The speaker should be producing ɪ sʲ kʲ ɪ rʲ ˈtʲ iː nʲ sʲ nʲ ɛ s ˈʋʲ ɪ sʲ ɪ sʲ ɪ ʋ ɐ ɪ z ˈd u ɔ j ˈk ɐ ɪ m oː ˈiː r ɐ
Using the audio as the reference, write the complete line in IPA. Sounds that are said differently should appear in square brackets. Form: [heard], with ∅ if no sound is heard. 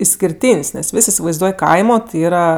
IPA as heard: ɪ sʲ kʲ ɪ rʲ ˈtʲ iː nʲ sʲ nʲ ɛ s ˈʋʲ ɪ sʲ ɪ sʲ ɪ ʋ ɐ ɪ z ˈd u ɔ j ˈk ɐ ɪ m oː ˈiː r ɐ